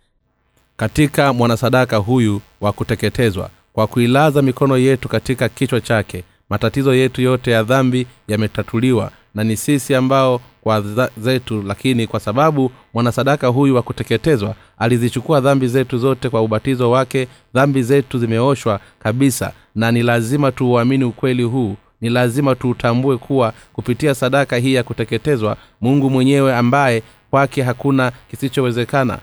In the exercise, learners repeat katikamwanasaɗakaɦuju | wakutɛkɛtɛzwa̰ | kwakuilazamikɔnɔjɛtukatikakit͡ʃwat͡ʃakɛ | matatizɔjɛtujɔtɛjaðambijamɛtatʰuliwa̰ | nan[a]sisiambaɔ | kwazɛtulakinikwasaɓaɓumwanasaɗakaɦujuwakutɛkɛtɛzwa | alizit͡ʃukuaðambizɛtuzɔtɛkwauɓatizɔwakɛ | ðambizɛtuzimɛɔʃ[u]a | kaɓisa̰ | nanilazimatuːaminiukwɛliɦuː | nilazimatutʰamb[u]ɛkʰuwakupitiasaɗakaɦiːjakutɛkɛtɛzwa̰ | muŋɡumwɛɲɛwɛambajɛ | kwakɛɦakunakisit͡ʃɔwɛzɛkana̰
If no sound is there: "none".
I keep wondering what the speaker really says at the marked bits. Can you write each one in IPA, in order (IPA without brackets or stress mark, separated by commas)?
i, w, u